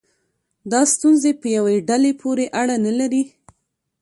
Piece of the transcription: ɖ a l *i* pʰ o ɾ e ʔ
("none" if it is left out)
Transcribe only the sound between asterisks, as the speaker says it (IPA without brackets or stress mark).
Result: e